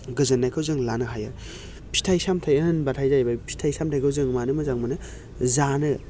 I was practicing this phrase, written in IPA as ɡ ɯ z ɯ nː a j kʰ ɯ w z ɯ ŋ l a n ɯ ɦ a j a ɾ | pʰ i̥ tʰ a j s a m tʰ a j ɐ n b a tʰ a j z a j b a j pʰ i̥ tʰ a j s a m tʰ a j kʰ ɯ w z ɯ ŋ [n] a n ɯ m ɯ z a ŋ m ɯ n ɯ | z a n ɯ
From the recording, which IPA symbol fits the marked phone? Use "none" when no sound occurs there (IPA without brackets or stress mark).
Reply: m